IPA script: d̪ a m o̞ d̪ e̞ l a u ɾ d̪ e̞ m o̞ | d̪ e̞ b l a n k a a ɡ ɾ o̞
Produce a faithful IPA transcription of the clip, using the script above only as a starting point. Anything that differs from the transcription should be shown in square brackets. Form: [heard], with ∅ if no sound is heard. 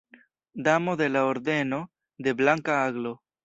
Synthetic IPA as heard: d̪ a m o̞ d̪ e̞ l a [o] ɾ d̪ e̞ [n] o̞ | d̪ e̞ b l a [ŋ] k a a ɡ [l] o̞

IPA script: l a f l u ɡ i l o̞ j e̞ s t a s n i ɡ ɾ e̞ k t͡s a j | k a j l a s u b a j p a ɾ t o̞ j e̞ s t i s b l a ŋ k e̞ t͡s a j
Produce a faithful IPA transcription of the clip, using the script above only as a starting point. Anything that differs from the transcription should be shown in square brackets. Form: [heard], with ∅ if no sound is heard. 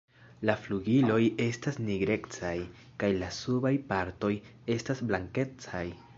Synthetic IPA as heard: l a f l u ɡ i l o̞ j e̞ s t a s n i ɡ ɾ e̞ k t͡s a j | k a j l a s u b a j p a ɾ t o̞ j e̞ s t [a] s b l a ŋ k e̞ t͡s a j

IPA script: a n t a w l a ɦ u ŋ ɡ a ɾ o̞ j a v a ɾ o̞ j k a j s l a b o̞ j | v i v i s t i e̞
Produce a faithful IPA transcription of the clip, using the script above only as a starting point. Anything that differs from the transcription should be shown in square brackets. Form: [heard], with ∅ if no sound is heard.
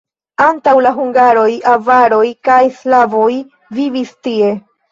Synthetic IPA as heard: a n t a w l a ɦ u ŋ ɡ a ɾ o̞ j a v a ɾ o̞ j k a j s l a [v] o̞ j | v i v i s t i e̞

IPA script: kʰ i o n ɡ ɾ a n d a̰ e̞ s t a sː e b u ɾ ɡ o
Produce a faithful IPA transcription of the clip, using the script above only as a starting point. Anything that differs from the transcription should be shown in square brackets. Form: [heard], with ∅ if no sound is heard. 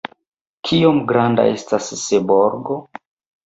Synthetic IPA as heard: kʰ i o [m] ɡ ɾ a n d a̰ e̞ s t a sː e b [o] ɾ ɡ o

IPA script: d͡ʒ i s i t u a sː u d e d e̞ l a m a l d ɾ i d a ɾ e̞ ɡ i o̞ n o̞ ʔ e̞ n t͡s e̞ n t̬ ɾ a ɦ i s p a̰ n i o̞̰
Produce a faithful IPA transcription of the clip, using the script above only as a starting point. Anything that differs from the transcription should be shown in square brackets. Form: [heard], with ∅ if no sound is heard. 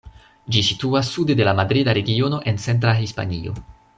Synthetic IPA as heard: d͡ʒ i s i t u a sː u d e d e̞ l a m a [∅] d ɾ i d a ɾ e̞ ɡ i o̞ n o̞ ʔ e̞ n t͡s e̞ n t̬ ɾ a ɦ i s p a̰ n i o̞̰

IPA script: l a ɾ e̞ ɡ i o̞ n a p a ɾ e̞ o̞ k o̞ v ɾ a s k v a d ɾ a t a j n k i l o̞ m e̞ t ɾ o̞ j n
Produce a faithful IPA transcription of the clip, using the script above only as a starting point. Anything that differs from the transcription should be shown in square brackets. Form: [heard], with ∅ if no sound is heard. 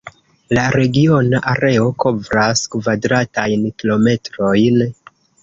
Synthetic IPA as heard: l a ɾ e̞ ɡ i o̞ n a [ʔ] a ɾ e̞ o̞ k o̞ v ɾ a s k v a d ɾ a t a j n k i l o̞ m e̞ t ɾ o̞ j n

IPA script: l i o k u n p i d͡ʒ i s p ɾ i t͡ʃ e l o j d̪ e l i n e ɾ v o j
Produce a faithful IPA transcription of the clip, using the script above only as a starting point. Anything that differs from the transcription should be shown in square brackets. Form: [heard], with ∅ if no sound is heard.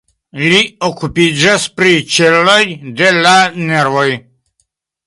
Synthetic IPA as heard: l i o k u [∅] p i d͡ʒ [a] s p ɾ i t͡ʃ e l o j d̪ e l [a] n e ɾ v o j

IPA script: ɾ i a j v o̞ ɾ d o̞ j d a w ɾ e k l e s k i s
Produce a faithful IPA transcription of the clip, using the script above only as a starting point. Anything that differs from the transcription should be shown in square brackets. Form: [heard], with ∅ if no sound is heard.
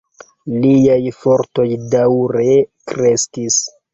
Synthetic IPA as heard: [l] i a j [f] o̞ ɾ [t] o̞ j d a w ɾ e k [ɾ] e s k i s

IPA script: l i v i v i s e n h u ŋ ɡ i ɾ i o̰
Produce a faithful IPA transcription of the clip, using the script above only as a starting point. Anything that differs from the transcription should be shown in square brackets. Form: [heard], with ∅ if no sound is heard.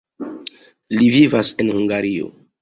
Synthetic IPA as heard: l i v i v [a] s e n h u ŋ ɡ [a] ɾ i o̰

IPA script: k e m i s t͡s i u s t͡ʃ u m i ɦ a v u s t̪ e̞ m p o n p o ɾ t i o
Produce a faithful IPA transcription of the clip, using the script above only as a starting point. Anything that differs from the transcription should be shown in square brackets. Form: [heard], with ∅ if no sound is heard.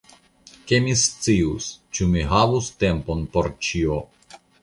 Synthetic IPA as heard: k e m i s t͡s i u s t͡ʃ u m i ɦ a v u s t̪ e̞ m p o n p o ɾ [t͡ʃ] i o

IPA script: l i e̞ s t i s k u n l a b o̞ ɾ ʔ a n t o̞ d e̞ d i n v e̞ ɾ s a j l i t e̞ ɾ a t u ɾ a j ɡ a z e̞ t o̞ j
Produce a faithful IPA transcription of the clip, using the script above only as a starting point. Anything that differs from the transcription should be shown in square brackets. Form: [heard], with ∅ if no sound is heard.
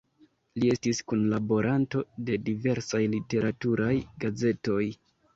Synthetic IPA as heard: l i e̞ s t i s k u n l a b o̞ ɾ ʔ a n t o̞ d e̞ d i [∅] v e̞ ɾ s a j l i t e̞ ɾ a t u ɾ a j ɡ a z e̞ t o̞ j

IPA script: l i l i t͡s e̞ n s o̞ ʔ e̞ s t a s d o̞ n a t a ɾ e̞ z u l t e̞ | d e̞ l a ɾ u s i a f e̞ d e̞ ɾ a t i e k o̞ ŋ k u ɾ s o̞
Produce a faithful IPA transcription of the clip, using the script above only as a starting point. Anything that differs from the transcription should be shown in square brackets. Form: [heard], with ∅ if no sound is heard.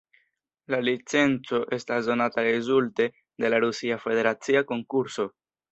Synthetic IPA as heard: l [a] l i t͡s e̞ n [t͡s] o̞ ʔ e̞ s t a s d o̞ n a t a ɾ e̞ z u l t e̞ | d e̞ l a ɾ u s i a f e̞ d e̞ ɾ a [t͡s] i [a] k o̞ ŋ k u ɾ s o̞

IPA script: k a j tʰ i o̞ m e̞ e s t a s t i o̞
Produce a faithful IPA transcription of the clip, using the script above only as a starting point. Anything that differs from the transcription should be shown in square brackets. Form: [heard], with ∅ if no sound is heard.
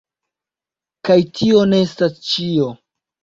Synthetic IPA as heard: k a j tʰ i o̞ [n] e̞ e s t a s [t͡ʃ] i o̞

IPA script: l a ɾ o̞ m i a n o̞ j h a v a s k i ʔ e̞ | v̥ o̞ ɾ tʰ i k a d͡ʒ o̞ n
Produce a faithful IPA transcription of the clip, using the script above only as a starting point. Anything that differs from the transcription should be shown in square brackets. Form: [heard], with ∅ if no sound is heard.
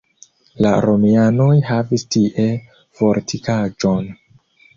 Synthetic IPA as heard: l a ɾ o̞ m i a n o̞ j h a v [i] s [t] i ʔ e̞ | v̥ o̞ ɾ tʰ i k a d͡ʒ o̞ n

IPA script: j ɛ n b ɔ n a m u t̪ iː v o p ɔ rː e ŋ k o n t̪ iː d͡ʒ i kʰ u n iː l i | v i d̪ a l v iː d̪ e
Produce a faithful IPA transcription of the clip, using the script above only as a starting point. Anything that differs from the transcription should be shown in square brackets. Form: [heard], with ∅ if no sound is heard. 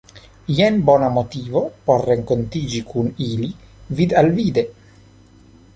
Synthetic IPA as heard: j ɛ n b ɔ n a m [o] t̪ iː v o p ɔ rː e ŋ k o n t̪ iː d͡ʒ i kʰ u n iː l i | v i d̪ a l v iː d̪ e

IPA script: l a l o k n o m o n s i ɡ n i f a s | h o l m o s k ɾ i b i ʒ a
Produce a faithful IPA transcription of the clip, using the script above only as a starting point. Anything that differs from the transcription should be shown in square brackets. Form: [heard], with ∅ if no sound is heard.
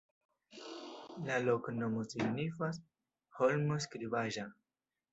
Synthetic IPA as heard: l a l o k n o m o [∅] s i ɡ n i f a s | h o l m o s k ɾ i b [a] ʒ a

